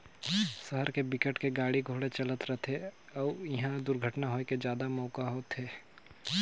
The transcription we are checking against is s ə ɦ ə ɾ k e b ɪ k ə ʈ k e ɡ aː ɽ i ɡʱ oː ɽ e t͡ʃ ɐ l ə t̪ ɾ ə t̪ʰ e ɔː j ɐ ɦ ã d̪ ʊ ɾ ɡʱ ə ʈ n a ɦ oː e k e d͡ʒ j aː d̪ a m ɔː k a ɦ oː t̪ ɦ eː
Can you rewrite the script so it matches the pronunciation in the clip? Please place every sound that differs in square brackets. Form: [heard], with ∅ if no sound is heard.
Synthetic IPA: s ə ɦ ə ɾ k e b ɪ k ə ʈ k e ɡ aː ɽ i ɡʱ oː ɽ e t͡ʃ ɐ l ə t̪ ɾ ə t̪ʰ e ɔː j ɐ ɦ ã d̪ ʊ ɾ ɡʱ ə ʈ n a ɦ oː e k e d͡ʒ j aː d̪ a m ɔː k a ɦ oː t̪ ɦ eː

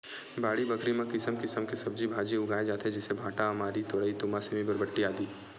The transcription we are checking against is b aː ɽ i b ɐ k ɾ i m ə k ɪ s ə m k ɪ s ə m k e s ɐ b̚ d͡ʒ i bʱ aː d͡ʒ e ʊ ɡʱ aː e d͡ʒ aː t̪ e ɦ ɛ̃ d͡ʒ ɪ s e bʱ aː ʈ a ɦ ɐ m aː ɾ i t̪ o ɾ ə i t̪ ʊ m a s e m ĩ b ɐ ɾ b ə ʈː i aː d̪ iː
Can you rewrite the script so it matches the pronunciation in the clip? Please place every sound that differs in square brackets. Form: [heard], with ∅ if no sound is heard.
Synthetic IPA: b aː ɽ i b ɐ k ɾ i m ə k ɪ s ə m k ɪ s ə m k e s ɐ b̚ d͡ʒ i bʱ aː d͡ʒ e ʊ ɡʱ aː e d͡ʒ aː t̪ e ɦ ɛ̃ d͡ʒ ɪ s e bʱ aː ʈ a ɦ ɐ m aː ɾ i t̪ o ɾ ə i t̪ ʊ m a s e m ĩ b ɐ ɾ b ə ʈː i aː d̪ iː

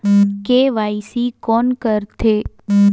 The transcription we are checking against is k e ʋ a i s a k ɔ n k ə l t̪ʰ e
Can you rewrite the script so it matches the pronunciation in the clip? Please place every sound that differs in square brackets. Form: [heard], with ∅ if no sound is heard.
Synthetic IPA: k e ʋ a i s [i] k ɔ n k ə [ɾ] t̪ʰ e

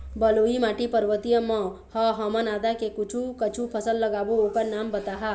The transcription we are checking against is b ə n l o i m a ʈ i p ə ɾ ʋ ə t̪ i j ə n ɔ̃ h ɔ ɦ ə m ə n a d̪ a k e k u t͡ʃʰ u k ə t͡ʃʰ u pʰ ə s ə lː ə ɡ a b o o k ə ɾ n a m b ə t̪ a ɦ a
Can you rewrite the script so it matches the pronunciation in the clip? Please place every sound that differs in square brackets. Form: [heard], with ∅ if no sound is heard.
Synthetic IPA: b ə [∅] l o i m a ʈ i p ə ɾ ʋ ə t̪ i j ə [m] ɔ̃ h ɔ ɦ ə m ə n a d̪ a k e k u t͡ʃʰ u k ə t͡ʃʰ u pʰ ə s ə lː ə ɡ a b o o k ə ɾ n a m b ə t̪ a ɦ a

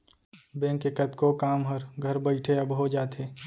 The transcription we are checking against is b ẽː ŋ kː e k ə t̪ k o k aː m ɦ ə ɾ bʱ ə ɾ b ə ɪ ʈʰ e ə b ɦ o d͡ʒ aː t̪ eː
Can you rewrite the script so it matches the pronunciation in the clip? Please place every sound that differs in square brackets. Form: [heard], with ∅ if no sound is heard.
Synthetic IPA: b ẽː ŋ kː e k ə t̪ k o k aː m ɦ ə ɾ [ɡʱ] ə ɾ b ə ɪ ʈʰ e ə b ɦ o d͡ʒ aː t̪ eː

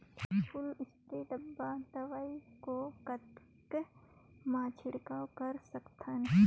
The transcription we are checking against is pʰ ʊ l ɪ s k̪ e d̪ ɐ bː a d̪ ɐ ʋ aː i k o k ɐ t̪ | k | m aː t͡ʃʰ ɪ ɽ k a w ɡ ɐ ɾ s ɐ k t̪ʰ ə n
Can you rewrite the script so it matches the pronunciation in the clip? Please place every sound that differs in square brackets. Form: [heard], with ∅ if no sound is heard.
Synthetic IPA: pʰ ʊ l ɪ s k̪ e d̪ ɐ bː a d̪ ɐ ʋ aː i k o k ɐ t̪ | k | m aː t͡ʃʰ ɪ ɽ k a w [k] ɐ ɾ s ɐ k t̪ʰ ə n

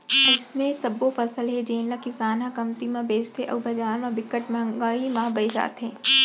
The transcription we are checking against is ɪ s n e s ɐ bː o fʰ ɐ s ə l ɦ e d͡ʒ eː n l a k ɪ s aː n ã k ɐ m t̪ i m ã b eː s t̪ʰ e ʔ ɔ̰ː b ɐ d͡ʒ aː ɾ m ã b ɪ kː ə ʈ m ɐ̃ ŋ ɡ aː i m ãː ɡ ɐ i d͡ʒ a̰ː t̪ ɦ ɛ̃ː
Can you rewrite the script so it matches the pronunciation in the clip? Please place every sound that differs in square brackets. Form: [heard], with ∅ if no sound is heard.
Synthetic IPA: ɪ s n e s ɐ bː o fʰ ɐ s ə l ɦ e d͡ʒ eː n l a k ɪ s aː n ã k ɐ m t̪ i m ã b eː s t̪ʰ e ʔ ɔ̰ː b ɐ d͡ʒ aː ɾ m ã b ɪ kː ə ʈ m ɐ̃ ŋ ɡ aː i m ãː [b] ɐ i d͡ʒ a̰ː t̪ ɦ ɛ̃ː

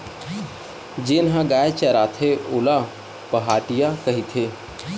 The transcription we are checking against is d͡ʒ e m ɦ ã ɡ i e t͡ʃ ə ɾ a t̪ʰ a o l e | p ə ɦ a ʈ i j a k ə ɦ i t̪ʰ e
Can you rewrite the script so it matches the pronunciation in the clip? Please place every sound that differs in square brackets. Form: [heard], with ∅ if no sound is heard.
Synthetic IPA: d͡ʒ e [n] ɦ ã ɡ [a] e t͡ʃ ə ɾ a t̪ʰ [e] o l [a] | p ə ɦ a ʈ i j a k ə ɦ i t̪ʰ e

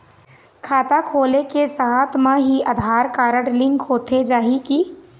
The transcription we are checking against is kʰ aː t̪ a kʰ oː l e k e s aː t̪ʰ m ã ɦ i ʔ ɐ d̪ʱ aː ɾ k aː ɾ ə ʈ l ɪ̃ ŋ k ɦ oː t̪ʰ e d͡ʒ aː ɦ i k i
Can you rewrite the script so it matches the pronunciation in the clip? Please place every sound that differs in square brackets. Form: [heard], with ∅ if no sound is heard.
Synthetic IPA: kʰ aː t̪ a kʰ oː l e k e s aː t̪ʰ m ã ɦ i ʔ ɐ d̪ʱ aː ɾ k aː ɾ ə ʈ l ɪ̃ ŋ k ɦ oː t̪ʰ e d͡ʒ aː ɦ i k i

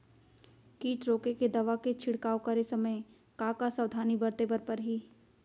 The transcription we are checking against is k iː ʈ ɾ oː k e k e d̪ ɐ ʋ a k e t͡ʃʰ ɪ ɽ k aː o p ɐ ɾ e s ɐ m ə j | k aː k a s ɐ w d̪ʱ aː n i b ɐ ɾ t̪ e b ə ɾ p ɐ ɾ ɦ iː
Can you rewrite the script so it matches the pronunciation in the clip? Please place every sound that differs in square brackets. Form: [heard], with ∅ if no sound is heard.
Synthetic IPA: k iː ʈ ɾ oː k e k e d̪ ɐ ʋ a k e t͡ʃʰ ɪ ɽ k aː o [k] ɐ ɾ e s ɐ m ə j | k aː k a s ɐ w d̪ʱ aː n i b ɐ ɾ t̪ e b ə ɾ p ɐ ɾ ɦ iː

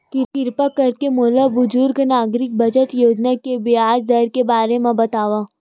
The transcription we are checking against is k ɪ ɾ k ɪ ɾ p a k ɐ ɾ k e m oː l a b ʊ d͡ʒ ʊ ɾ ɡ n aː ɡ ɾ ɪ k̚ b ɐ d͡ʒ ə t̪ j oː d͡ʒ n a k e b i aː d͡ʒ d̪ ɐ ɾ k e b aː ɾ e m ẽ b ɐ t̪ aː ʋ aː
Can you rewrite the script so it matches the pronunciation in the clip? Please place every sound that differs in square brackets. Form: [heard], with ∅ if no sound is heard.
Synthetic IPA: k ɪ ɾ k ɪ ɾ p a k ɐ ɾ k e m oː l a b ʊ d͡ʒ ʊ ɾ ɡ n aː ɡ ɾ ɪ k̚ b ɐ d͡ʒ ə t̪ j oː d͡ʒ n a k e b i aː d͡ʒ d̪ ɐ ɾ k e b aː ɾ e m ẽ b ɐ t̪ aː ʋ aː

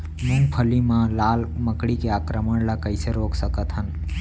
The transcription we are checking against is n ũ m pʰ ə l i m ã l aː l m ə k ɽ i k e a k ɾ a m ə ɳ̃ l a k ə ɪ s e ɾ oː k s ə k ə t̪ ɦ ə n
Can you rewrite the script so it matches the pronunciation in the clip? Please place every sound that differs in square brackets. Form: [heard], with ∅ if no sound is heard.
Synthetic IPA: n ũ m pʰ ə l i m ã l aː l m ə k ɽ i k e a k ɾ [ə] m ə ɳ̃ l a k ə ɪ s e ɾ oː k s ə k ə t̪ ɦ ə n

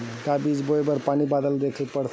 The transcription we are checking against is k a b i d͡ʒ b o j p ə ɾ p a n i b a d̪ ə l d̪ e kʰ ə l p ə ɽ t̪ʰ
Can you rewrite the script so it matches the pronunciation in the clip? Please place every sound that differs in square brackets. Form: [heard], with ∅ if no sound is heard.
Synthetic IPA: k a b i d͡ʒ b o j [b] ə ɾ p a n i b a d̪ ə l d̪ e kʰ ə l p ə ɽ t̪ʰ

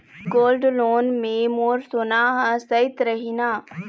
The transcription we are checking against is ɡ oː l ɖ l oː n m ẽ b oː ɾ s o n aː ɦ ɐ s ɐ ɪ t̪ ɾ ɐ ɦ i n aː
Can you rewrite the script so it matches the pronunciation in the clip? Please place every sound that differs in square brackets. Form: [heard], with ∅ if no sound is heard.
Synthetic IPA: ɡ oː l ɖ l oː n m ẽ [m] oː ɾ s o n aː ɦ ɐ s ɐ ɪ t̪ ɾ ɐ ɦ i n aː

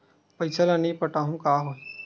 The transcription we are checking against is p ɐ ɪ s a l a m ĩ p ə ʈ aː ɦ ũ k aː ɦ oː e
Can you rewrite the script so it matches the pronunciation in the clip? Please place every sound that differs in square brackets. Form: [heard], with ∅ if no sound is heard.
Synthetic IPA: p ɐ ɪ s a l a [n] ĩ p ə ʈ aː ɦ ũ k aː ɦ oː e

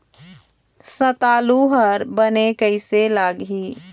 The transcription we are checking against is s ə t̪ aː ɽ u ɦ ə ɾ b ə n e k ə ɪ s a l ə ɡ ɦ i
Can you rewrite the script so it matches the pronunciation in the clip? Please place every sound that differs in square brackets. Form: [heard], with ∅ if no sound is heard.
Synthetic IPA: s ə t̪ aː [l] u ɦ ə ɾ b ə n e k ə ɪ s [e] l [a] ɡ ɦ i

